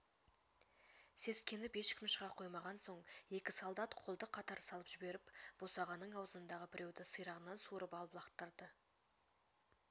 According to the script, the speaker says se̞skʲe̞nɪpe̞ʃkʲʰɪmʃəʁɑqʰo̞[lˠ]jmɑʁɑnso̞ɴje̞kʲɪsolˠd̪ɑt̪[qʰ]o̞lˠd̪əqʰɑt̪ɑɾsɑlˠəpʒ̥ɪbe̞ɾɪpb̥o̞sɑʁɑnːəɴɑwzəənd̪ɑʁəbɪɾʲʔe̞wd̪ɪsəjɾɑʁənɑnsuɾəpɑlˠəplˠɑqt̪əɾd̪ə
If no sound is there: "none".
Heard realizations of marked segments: none, qʰ

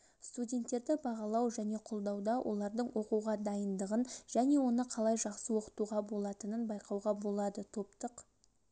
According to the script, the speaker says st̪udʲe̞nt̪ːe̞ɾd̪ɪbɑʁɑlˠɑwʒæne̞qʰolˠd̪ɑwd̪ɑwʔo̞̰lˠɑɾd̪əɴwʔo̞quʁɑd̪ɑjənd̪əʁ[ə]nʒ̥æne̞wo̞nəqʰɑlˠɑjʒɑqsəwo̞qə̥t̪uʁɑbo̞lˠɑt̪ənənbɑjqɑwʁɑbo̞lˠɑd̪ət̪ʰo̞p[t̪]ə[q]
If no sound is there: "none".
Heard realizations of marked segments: ə, t̪, q

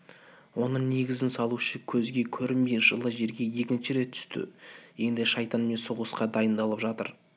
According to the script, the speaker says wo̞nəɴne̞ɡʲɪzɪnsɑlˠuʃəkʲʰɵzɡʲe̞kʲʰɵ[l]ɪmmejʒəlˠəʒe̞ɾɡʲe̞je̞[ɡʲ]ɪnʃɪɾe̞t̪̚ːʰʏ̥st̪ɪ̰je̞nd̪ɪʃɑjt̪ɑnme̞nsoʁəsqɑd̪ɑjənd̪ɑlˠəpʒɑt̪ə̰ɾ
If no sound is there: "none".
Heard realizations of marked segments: ɾ, kʲ

